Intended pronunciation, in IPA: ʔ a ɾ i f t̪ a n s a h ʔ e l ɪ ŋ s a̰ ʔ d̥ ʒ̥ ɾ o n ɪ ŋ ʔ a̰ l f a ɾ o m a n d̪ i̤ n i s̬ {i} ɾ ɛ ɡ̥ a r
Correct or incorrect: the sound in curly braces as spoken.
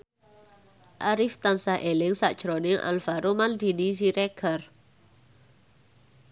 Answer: correct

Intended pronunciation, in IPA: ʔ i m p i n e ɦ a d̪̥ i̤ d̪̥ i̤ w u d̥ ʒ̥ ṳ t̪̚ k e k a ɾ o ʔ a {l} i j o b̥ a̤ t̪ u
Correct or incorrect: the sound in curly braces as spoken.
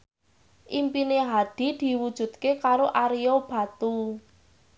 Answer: incorrect: ɾ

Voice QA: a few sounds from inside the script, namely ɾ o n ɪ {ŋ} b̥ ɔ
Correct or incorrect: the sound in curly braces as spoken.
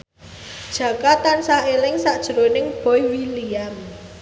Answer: correct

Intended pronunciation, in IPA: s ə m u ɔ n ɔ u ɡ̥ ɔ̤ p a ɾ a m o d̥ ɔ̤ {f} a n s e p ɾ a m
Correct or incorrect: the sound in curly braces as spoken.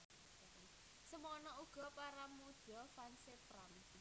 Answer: correct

